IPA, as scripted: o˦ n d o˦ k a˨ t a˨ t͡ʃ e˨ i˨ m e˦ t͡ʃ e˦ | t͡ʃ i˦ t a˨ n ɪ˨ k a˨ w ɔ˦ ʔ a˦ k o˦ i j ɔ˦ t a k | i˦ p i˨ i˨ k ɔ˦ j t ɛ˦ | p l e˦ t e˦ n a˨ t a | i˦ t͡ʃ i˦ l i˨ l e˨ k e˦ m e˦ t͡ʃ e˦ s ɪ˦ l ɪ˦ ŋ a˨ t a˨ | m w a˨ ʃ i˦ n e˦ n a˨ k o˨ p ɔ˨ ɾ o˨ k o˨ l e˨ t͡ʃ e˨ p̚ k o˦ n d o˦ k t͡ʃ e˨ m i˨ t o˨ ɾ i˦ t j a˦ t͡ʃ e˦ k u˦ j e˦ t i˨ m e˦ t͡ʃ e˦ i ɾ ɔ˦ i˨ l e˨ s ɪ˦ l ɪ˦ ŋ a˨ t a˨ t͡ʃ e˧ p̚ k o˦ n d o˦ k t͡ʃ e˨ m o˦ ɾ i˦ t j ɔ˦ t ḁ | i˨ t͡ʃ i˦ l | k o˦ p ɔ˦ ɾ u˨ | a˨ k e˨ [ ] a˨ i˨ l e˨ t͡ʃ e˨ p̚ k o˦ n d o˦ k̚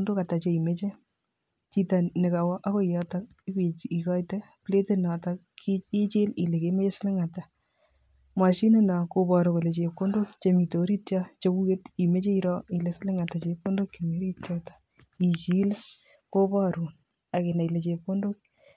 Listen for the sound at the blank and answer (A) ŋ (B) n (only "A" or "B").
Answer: B